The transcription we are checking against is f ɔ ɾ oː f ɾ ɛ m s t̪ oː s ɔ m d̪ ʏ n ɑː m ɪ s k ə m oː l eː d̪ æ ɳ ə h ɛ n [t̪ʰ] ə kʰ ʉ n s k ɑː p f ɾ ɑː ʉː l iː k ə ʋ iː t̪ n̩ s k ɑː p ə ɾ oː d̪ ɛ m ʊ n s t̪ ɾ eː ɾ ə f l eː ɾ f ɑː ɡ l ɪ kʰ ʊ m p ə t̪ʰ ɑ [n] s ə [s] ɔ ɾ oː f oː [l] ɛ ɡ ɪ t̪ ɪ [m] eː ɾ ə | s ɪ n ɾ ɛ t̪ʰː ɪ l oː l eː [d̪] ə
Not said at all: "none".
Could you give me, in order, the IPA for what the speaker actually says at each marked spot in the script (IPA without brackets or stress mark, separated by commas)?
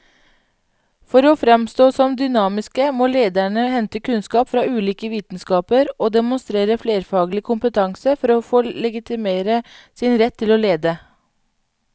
t̪, ŋ, f, l, m, d̪